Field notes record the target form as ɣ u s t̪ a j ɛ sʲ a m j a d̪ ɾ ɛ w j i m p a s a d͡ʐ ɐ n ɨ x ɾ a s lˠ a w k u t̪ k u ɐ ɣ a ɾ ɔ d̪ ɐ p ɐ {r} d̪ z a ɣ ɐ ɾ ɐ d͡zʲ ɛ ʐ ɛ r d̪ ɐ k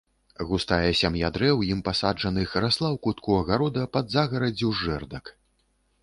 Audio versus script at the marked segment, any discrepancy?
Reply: yes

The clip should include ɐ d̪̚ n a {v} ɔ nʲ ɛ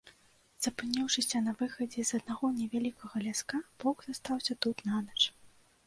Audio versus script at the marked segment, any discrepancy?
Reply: yes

